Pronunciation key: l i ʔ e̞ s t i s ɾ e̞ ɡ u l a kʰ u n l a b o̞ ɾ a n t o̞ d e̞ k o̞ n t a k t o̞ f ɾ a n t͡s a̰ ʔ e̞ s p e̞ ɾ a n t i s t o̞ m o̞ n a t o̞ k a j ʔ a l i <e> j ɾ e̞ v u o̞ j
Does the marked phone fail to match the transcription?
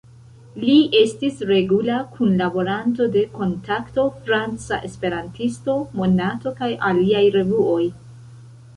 yes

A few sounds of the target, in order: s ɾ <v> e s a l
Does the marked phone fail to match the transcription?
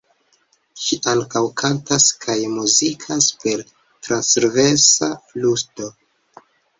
no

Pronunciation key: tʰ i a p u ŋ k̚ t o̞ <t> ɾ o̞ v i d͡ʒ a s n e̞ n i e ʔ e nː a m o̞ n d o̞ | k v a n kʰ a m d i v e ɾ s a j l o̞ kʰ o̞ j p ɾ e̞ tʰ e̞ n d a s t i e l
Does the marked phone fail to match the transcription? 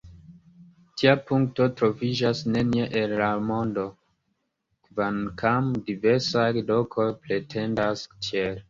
no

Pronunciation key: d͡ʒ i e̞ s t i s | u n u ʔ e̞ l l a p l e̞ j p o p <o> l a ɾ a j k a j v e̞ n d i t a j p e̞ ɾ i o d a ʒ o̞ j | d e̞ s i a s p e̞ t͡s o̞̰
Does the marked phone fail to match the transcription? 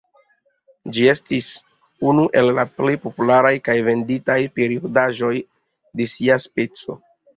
yes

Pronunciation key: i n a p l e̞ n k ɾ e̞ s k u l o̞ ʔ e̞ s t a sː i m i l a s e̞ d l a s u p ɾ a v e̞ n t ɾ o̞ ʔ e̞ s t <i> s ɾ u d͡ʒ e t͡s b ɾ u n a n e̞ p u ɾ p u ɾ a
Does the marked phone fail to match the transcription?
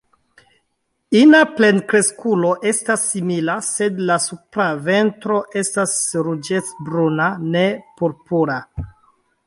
yes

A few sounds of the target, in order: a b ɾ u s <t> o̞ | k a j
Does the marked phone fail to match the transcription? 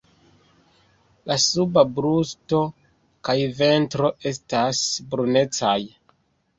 no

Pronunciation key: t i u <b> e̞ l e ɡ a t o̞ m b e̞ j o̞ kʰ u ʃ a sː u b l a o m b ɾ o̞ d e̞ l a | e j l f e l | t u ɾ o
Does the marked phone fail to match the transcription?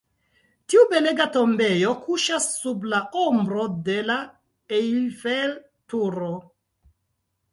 no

